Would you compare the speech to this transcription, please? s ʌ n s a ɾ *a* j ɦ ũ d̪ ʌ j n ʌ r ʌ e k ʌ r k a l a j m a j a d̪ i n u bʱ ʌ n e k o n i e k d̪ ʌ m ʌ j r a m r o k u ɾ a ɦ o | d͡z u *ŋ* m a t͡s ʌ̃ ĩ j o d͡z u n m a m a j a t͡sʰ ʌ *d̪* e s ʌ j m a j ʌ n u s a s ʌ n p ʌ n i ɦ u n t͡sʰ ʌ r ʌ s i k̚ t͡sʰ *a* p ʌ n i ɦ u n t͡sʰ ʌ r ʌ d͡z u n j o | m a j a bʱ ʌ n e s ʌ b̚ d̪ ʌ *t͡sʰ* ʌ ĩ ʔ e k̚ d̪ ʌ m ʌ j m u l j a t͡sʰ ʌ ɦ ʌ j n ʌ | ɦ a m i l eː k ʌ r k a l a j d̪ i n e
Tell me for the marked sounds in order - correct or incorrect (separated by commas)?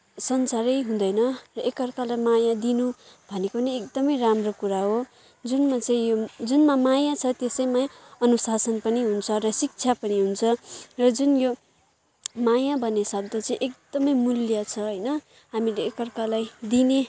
incorrect, incorrect, incorrect, correct, incorrect